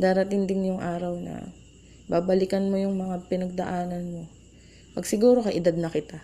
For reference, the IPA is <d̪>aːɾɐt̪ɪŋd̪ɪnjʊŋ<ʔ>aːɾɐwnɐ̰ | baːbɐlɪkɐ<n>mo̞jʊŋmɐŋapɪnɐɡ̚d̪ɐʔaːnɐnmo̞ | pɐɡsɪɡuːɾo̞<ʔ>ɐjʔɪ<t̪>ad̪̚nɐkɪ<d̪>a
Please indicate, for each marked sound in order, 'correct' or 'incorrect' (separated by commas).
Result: correct, correct, correct, incorrect, incorrect, incorrect